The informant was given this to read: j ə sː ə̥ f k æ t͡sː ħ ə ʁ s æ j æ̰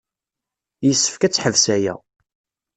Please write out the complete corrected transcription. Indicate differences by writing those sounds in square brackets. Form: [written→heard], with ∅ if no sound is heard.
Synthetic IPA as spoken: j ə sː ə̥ f k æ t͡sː ħ ə [ʁ→v] s æ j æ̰